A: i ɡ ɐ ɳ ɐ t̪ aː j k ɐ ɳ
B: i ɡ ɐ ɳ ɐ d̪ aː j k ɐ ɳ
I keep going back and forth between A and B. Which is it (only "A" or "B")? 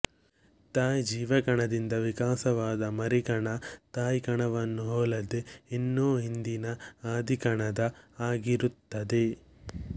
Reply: A